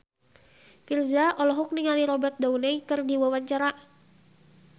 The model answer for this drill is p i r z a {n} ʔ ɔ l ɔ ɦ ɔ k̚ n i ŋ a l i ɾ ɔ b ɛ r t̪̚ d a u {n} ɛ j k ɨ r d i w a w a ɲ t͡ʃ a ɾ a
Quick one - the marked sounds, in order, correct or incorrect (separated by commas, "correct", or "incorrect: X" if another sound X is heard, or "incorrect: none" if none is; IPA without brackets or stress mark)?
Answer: incorrect: none, correct